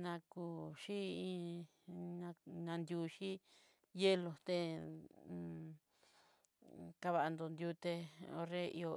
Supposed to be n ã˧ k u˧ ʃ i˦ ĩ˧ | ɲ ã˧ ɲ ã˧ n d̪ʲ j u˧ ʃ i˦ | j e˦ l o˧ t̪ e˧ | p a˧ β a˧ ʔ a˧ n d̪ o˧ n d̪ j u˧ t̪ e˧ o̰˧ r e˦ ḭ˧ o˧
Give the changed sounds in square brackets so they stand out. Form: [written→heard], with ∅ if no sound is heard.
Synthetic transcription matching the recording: n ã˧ k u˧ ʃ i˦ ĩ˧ | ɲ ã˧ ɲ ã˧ n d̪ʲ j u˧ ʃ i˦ | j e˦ l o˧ t̪ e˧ | [p→k] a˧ β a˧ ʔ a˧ n d̪ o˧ n d̪ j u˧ t̪ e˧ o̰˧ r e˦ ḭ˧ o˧